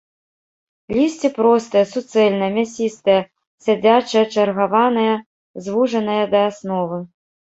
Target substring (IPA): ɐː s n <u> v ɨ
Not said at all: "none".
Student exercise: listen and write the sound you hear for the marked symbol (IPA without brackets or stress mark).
ɔ